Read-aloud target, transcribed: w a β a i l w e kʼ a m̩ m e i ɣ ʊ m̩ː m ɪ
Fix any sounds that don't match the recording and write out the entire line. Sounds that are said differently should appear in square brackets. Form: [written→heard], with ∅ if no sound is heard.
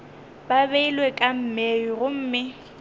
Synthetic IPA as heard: [w→b] a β [a→e] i l w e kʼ a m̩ m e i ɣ ʊ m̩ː m ɪ